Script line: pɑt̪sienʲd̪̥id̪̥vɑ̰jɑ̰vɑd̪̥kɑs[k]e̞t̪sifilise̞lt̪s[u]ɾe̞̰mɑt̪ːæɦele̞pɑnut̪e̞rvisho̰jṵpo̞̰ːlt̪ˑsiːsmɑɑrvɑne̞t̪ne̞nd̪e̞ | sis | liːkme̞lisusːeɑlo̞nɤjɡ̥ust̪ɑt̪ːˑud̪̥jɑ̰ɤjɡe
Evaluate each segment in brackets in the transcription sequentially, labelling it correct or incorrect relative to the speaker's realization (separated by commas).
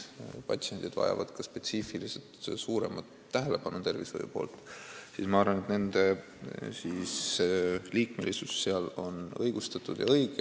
incorrect, incorrect